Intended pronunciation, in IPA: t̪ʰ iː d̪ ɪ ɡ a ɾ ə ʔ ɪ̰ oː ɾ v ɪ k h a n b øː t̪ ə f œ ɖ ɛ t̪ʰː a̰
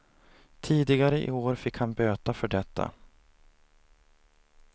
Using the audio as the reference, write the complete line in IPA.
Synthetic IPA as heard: t̪ʰ iː d̪ ɪ ɡ a ɾ ə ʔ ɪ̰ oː ɾ f ɪ k h a n b øː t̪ a f œ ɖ ɛ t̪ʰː a̰